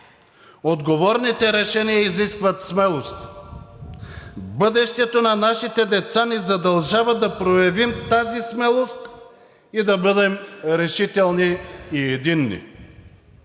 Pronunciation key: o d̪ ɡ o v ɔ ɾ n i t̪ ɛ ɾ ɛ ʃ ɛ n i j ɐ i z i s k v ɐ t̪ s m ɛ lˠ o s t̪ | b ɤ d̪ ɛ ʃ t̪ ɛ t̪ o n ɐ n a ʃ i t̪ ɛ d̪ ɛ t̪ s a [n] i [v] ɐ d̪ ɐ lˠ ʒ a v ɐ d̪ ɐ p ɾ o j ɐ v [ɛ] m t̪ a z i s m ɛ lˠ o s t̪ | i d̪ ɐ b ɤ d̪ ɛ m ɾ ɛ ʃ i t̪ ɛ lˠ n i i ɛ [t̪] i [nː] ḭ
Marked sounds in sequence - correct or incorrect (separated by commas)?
correct, incorrect, incorrect, incorrect, correct